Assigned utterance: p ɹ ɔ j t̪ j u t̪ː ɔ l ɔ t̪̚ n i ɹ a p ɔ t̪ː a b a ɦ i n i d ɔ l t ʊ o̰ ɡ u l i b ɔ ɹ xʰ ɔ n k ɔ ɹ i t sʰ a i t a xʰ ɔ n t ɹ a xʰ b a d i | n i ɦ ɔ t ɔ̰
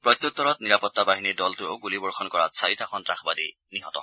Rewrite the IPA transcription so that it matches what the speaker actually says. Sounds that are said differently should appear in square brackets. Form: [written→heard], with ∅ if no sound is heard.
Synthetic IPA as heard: p ɹ ɔ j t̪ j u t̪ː ɔ [l→ɹ] ɔ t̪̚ n i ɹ a p ɔ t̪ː a b a ɦ i n i d ɔ l t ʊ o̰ ɡ u l i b ɔ ɹ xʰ ɔ n k ɔ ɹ [i→a] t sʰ a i t a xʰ ɔ n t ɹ a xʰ b a d i | n i ɦ ɔ t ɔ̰

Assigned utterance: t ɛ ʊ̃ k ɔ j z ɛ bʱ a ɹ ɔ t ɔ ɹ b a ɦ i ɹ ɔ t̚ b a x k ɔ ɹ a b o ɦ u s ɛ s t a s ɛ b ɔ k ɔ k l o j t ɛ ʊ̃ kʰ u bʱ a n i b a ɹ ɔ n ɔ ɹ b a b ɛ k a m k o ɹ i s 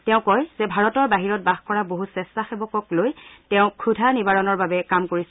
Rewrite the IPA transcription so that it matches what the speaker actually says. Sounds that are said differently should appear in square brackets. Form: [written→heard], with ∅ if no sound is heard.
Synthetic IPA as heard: t ɛ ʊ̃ k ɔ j z ɛ bʱ a ɹ ɔ t ɔ ɹ b a ɦ i ɹ ɔ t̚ b a x k ɔ ɹ a b o ɦ u s ɛ s t a [s→x] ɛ b ɔ k ɔ k l o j t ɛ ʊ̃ kʰ u [bʱ→dʱ] a n i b a ɹ ɔ n ɔ ɹ b a b ɛ k a m k o ɹ i s

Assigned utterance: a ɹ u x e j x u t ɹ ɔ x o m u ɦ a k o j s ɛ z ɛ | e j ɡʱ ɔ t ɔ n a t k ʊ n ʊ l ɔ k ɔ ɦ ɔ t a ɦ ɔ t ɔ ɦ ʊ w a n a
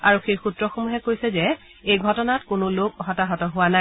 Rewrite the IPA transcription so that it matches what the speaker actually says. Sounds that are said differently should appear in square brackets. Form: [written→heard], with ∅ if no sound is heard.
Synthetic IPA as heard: a ɹ u x e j x u t ɹ ɔ x o m u ɦ [a→ɛ] k o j s ɛ z ɛ | e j ɡʱ ɔ t ɔ n a t k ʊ n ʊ l [ɔ→o] k ɔ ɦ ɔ t a ɦ ɔ t ɔ ɦ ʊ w a n a

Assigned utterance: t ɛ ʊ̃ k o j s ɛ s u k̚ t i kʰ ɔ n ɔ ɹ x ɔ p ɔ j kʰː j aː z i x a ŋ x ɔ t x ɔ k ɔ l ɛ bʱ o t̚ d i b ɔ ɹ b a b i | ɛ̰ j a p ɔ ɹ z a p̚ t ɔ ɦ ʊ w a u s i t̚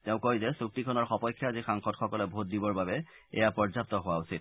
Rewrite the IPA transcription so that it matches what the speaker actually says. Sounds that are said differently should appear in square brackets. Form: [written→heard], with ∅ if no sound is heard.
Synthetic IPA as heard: t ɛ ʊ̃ k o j [s→z] ɛ s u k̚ t i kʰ ɔ n ɔ ɹ x ɔ p ɔ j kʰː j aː z i x a ŋ x ɔ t x ɔ k ɔ l ɛ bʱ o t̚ d i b ɔ ɹ b a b [i→ɛ] | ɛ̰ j a p ɔ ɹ z a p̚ t ɔ ɦ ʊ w a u s i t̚

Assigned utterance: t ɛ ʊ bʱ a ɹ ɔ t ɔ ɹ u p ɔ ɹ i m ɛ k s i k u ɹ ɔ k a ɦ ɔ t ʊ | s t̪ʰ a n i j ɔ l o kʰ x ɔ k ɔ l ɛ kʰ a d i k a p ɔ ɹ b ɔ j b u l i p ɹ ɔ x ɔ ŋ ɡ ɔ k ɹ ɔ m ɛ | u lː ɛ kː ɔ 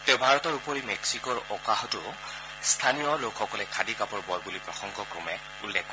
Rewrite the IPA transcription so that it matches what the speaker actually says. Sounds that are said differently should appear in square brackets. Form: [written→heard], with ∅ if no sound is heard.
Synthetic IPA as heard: t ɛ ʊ bʱ a ɹ ɔ t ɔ ɹ u p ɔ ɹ i m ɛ k s i k [u→ɔ] ɹ ɔ k a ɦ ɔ t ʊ | s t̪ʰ a n i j ɔ l o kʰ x ɔ k ɔ l ɛ kʰ a d i k a p ɔ ɹ b ɔ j b u l i p ɹ ɔ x ɔ ŋ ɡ ɔ k ɹ ɔ m ɛ | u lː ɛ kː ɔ

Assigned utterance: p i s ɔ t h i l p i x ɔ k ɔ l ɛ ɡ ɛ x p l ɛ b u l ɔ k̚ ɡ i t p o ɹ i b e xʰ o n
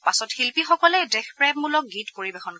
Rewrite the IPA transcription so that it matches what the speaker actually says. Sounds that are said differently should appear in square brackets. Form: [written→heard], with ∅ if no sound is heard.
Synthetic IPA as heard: p [i→a] s ɔ t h i l p i x ɔ k ɔ l ɛ [ɡ→d] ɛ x p [l→ɹ] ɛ [b→m] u l ɔ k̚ ɡ i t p o ɹ i b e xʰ [o→ɔ] n

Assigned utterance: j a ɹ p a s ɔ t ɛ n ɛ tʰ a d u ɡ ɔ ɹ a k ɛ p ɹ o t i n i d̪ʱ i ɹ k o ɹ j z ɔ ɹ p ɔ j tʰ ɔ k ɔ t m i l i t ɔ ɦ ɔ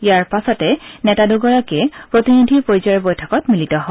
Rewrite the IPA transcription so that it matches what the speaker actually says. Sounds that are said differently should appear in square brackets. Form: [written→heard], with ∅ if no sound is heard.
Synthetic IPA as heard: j a ɹ p a s ɔ t ɛ n ɛ [tʰ→t] a d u ɡ ɔ ɹ a k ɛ p ɹ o t i n i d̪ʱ i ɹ [k→p] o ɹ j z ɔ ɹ [p→b] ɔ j tʰ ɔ k ɔ t m i l i t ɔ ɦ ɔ

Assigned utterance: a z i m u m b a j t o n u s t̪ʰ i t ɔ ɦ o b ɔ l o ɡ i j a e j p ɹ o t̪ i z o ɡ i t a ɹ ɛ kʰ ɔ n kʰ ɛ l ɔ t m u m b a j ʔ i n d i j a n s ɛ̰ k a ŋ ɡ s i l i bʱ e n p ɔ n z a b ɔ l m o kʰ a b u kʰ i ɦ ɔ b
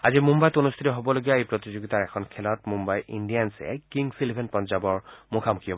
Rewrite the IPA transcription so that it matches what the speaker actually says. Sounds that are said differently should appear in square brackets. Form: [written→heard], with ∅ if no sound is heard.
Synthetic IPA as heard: a z i m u m b a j t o n u s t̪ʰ i t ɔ ɦ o b ɔ l o ɡ i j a e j p ɹ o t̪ i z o ɡ i t a ɹ ɛ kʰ ɔ n kʰ ɛ l ɔ t m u m b a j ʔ i n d i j a n s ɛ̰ k [a→i] ŋ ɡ s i l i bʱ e n p ɔ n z a b ɔ [l→ɹ] m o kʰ a [b→m] u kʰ i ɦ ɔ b

